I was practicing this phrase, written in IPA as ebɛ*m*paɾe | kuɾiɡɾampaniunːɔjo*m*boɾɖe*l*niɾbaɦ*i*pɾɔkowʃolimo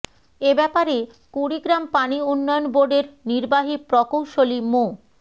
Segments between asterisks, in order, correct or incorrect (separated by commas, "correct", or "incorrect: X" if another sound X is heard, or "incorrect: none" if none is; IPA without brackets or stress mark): incorrect: none, incorrect: n, incorrect: ɾ, correct